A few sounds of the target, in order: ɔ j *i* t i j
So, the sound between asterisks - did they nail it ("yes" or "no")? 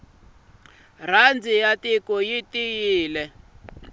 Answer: yes